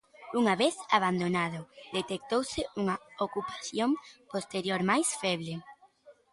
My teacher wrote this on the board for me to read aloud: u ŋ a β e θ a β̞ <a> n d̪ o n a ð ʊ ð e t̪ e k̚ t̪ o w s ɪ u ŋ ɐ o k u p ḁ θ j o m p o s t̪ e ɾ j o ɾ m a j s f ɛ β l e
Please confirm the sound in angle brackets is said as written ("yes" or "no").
yes